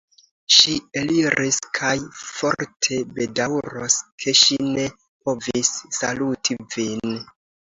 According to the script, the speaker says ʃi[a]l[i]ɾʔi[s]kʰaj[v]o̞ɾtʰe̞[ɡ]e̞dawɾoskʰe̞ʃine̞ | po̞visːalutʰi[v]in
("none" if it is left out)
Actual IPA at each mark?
e, i, s, f, b, v

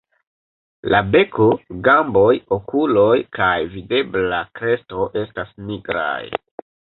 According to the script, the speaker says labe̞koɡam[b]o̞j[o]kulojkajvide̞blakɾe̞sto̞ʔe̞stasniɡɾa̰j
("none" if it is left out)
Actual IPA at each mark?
b, o

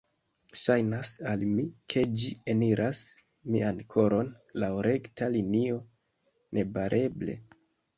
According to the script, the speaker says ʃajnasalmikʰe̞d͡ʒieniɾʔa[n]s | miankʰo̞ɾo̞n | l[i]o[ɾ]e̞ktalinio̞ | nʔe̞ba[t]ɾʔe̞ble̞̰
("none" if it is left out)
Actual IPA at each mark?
none, a, ɾ, none

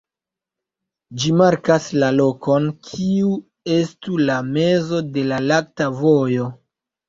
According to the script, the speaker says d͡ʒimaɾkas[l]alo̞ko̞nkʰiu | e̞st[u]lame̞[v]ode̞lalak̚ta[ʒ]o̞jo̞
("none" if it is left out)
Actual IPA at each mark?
l, u, z, v

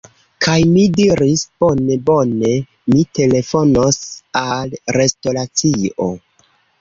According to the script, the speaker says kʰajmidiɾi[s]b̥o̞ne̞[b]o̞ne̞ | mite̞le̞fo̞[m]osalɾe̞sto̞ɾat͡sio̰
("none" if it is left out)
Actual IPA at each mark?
s, b, n

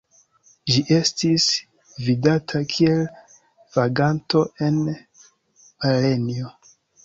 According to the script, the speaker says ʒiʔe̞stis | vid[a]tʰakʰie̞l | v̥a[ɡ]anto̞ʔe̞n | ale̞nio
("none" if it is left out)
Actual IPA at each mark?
a, ɡ

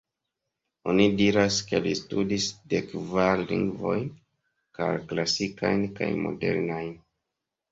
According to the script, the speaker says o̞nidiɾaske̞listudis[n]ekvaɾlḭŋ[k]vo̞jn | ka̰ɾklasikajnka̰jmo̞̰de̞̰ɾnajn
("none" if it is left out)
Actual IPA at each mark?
d, ɡ

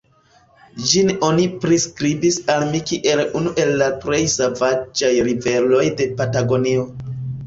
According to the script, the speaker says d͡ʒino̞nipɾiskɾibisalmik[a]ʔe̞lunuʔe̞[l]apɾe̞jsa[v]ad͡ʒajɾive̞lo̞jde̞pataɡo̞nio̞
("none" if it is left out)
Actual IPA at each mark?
i, lː, v

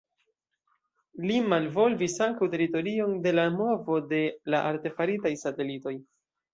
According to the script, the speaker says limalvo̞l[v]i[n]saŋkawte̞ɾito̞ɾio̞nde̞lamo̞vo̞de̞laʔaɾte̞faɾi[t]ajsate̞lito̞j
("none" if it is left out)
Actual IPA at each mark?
v, none, t

